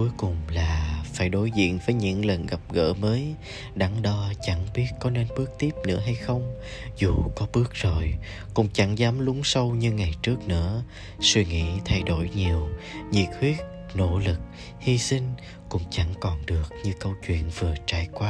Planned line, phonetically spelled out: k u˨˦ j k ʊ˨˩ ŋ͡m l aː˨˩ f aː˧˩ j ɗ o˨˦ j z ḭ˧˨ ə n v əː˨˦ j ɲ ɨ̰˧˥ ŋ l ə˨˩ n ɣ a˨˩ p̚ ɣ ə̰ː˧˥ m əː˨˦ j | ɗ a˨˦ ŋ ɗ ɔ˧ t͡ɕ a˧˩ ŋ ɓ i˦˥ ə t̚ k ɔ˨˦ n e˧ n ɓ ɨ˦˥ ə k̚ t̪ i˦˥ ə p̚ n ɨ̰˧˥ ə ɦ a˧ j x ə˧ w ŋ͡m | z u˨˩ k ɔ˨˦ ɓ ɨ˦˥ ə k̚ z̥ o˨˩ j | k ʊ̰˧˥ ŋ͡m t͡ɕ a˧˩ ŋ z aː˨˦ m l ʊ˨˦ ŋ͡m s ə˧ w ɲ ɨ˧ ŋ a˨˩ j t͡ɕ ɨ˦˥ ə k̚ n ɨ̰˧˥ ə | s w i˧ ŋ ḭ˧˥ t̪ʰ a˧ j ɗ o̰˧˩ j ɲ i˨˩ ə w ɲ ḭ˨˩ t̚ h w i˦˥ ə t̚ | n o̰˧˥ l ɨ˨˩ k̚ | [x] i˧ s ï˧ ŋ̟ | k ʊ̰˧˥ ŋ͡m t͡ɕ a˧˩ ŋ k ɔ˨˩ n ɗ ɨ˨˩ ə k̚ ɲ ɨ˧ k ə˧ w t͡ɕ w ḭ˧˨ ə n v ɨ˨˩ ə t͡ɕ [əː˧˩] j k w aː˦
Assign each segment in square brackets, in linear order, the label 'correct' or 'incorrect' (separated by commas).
incorrect, incorrect